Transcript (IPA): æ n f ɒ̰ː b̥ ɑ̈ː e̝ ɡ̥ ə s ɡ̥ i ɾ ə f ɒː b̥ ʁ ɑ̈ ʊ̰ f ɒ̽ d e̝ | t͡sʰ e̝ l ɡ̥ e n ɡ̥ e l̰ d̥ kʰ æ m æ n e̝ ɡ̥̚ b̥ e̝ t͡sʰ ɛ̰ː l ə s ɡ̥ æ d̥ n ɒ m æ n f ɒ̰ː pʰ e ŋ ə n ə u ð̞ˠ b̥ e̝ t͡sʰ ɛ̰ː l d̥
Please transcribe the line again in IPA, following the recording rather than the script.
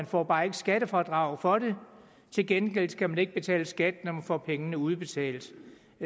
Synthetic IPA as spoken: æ n f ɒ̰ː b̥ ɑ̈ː e̝ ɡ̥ ə s ɡ̥ æ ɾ ə f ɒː d̥ ʁ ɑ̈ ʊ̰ f ɒ̽ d e̝ | t͡sʰ e̝ l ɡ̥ e n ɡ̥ e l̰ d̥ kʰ æ m æ n e̝ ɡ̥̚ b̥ e̝ t͡sʰ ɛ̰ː l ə s ɡ̥ æ d̥ n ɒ m æ n f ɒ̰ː pʰ e ŋ ə n ə u ð̞ˠ b̥ e̝ t͡sʰ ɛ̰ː l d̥